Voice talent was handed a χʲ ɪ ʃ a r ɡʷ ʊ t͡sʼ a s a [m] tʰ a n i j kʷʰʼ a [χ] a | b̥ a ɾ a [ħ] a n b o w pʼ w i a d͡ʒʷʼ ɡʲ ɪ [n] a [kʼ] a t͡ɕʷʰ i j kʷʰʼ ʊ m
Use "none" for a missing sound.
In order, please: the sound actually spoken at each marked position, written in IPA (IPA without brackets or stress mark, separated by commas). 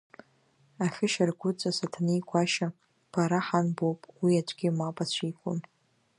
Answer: none, ʃ, ħ, m, pʼ